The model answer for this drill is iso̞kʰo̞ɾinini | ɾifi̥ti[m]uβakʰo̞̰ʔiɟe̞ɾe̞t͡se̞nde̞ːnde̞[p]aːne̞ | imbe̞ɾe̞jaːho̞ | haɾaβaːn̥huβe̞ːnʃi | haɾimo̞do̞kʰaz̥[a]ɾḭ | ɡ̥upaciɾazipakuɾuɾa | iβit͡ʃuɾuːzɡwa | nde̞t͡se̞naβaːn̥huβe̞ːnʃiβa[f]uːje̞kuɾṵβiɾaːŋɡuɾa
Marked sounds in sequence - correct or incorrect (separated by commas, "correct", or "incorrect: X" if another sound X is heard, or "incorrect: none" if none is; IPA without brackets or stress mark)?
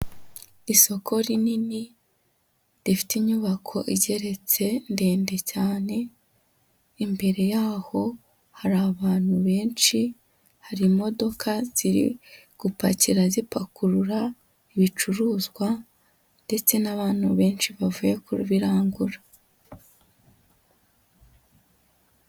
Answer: incorrect: ɲ, incorrect: c, incorrect: i, incorrect: v